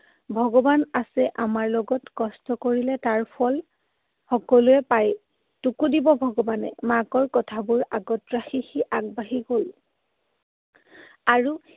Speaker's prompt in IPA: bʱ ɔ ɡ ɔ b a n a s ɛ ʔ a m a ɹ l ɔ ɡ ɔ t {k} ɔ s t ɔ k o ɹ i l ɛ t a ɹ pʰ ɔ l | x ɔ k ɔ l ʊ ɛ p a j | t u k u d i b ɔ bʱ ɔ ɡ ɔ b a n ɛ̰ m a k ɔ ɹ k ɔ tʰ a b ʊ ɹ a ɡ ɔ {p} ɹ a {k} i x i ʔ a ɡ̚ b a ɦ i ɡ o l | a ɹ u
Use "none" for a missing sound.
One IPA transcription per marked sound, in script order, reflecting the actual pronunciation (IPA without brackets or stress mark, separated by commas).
k, t, x